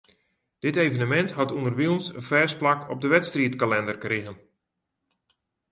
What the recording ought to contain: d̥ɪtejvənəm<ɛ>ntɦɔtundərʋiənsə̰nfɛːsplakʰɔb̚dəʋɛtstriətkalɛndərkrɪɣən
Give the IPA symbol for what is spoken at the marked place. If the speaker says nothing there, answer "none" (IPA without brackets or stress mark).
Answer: ɛ